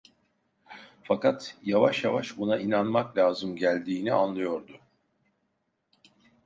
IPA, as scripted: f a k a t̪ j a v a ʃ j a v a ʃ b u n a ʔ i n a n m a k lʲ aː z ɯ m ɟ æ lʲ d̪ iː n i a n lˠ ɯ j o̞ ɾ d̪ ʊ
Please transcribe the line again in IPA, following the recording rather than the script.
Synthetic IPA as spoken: f a k a t̪ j a v a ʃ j a v a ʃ b u n a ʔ i n a n m a k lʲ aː z ɯ m ɟ æ lʲ d̪ iː n i a n lˠ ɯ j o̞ ɾ d̪ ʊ